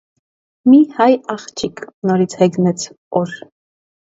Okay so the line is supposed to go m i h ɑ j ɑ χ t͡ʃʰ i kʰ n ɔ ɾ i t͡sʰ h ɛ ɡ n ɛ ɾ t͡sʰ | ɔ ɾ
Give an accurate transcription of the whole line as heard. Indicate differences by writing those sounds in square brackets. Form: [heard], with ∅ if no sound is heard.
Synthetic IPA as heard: m i h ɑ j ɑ χ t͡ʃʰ i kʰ n ɔ ɾ i t͡sʰ h ɛ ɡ n ɛ [∅] t͡sʰ | ɔ ɾ